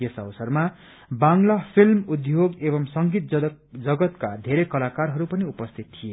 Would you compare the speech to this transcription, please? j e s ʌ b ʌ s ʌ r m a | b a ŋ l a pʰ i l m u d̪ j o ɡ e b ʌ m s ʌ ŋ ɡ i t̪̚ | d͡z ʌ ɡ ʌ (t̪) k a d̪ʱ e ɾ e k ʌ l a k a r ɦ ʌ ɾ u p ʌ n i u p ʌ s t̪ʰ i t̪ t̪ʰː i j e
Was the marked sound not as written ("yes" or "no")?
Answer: no